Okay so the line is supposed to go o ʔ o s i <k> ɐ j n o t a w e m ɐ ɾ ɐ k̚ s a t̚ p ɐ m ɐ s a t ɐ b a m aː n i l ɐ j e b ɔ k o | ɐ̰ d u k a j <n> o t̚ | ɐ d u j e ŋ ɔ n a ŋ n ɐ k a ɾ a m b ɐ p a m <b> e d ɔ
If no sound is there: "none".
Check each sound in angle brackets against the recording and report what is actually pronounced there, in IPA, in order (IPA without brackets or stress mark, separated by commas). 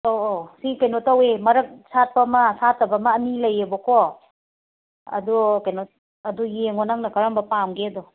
k, n, ɡ